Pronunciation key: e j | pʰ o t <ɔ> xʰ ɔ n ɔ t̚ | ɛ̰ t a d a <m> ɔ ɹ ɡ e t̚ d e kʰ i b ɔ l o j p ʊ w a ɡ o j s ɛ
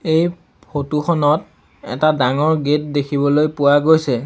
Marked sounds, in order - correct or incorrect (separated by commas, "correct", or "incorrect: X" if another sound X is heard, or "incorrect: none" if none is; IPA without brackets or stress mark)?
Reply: incorrect: u, incorrect: ŋ